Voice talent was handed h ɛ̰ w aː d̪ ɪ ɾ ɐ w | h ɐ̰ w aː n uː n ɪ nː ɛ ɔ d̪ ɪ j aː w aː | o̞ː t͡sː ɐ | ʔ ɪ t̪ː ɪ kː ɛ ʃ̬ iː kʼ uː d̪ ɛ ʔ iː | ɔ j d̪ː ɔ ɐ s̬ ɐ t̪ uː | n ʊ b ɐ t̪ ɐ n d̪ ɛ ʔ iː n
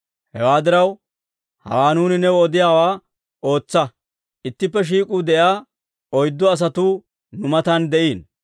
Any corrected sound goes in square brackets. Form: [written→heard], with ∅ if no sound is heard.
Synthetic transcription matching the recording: h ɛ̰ w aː d̪ ɪ ɾ ɐ w | h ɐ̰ w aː n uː n ɪ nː ɛ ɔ d̪ ɪ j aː w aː | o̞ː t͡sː ɐ | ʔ ɪ t̪ː ɪ [kː→pː] ɛ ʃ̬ iː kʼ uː d̪ ɛ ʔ [iː→aː] | ɔ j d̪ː ɔ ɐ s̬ ɐ t̪ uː | n ʊ [b→m] ɐ t̪ ɐ n d̪ ɛ ʔ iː n

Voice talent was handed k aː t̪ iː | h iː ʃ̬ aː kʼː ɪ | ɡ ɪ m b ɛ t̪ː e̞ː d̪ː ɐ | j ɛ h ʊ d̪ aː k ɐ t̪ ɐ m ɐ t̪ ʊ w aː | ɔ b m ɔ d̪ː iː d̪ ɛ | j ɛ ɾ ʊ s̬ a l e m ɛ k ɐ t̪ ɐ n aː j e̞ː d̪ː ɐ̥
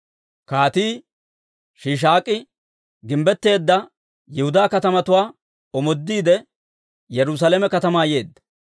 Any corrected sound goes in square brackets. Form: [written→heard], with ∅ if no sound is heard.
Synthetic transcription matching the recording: k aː t̪ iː | [h→ʃ] iː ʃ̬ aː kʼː ɪ | ɡ ɪ m b ɛ t̪ː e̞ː d̪ː ɐ | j ɛ h ʊ d̪ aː k ɐ t̪ ɐ m ɐ t̪ ʊ w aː | ɔ [b→∅] m ɔ d̪ː iː d̪ ɛ | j ɛ ɾ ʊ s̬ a l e m ɛ k ɐ t̪ ɐ [n→m] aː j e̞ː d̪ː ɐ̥

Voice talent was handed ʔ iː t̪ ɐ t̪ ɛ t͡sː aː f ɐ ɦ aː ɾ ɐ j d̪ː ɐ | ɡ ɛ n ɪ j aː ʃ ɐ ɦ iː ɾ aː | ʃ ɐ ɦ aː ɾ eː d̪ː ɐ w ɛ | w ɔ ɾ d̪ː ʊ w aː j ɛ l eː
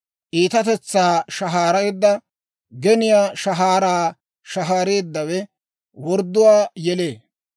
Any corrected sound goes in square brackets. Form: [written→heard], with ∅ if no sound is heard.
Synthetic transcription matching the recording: ʔ iː t̪ ɐ t̪ ɛ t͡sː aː [f→ʃ] ɐ ɦ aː ɾ ɐ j d̪ː ɐ | ɡ ɛ n ɪ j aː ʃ ɐ ɦ [iː→aː] ɾ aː | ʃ ɐ ɦ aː ɾ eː d̪ː ɐ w ɛ | w ɔ ɾ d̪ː ʊ w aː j ɛ l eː

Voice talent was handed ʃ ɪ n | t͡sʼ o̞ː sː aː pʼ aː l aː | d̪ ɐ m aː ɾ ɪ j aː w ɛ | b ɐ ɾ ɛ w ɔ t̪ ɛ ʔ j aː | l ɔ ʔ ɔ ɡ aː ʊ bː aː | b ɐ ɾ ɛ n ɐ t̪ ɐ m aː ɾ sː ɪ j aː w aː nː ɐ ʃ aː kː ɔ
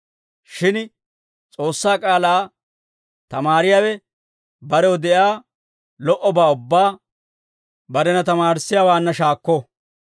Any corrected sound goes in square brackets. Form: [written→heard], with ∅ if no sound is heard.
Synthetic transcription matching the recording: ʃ ɪ n | t͡sʼ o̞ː sː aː [pʼ→kʼ] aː l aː | [d̪→t̪] ɐ m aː ɾ ɪ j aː w ɛ | b ɐ ɾ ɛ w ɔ [t̪→d̪] ɛ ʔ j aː | l ɔ ʔ ɔ [ɡ→b] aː ʊ bː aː | b ɐ ɾ ɛ n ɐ t̪ ɐ m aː ɾ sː ɪ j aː w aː nː ɐ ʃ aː kː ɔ

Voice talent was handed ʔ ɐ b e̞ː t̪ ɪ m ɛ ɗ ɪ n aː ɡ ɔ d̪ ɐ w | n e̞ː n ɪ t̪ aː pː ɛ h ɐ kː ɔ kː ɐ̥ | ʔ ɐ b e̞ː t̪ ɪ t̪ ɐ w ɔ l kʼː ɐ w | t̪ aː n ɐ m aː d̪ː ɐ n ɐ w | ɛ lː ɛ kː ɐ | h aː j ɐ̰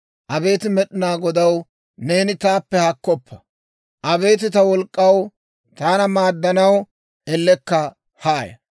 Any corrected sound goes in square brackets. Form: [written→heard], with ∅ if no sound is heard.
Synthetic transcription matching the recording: ʔ ɐ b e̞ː t̪ ɪ m ɛ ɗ ɪ n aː ɡ ɔ d̪ ɐ w | n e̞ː n ɪ t̪ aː pː ɛ h ɐ kː ɔ [kː→pː] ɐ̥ | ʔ ɐ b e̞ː t̪ ɪ t̪ ɐ w ɔ l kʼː ɐ w | t̪ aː n ɐ m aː d̪ː ɐ n ɐ w | ɛ lː ɛ kː ɐ | h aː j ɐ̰

